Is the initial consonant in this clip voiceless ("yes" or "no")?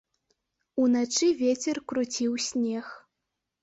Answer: no